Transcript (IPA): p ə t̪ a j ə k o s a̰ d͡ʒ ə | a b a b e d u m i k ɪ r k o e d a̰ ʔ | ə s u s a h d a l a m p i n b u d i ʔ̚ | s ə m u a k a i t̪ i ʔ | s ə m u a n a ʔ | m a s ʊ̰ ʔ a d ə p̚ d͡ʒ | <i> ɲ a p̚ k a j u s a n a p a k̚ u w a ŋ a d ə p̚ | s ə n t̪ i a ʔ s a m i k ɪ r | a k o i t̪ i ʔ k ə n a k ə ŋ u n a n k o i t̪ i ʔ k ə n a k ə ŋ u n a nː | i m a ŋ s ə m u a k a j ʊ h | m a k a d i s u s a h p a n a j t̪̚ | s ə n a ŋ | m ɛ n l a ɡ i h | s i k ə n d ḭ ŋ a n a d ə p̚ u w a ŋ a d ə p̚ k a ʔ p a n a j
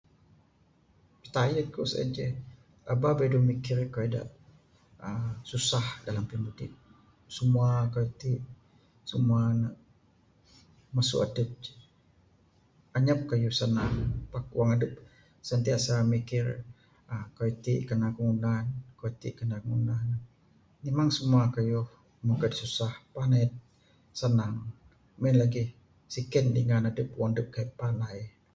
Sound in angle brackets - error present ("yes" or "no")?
yes